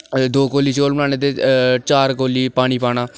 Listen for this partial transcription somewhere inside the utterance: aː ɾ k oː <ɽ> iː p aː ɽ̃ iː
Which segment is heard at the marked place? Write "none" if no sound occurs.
l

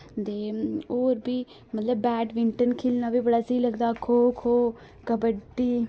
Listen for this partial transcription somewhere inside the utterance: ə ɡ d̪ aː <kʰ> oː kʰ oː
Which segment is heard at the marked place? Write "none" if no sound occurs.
kʰ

